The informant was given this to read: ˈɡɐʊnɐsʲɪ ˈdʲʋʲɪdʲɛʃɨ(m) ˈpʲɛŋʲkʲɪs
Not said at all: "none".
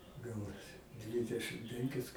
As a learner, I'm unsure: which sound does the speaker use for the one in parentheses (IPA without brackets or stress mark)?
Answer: m